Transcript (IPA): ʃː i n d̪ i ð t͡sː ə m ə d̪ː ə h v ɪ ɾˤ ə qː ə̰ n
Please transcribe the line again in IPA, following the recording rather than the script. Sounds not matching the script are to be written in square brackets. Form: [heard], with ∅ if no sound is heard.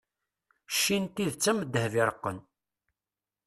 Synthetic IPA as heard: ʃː i n [t̪] i ð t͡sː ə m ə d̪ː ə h v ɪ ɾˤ ə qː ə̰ n